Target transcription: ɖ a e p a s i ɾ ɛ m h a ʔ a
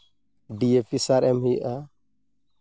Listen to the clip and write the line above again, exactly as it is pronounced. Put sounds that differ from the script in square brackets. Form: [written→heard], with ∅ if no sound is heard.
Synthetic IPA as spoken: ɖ [a→i] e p [a→i] s [i→a] ɾ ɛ m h [a→i] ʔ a